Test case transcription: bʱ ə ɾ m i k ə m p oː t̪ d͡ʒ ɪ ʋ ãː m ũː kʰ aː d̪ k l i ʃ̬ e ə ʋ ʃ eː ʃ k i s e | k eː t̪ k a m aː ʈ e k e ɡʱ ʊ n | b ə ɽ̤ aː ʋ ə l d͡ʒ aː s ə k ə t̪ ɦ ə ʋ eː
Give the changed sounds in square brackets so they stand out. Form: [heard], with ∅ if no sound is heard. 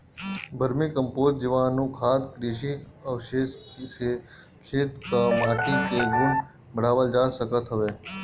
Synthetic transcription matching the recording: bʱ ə ɾ m i k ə m p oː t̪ d͡ʒ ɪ ʋ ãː [n] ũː kʰ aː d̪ k [ɾ] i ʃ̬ [i] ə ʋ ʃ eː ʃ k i s e | [kʰ] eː t̪ k a m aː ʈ [i] k e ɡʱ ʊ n | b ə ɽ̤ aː ʋ ə l d͡ʒ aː s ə k ə t̪ ɦ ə ʋ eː